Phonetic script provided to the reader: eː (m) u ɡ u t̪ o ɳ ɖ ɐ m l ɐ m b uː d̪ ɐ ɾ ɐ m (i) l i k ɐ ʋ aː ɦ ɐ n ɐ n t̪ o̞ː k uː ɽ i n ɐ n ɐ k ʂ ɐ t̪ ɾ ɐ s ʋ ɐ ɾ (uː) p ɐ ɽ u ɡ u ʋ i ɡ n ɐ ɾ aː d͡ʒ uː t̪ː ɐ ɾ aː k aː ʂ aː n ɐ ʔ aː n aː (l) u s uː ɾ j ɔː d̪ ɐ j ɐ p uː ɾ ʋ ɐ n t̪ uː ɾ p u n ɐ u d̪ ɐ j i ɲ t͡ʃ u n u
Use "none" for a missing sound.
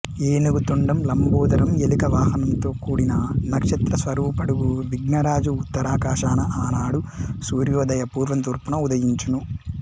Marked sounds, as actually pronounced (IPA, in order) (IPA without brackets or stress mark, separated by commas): n, e, uː, ɽ